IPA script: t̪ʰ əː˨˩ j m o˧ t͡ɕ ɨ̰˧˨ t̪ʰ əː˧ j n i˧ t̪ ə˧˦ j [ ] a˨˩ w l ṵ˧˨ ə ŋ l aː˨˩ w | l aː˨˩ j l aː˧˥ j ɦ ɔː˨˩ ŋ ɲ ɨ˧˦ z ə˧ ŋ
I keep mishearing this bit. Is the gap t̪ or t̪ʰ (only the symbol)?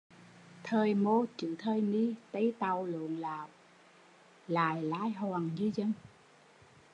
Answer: t̪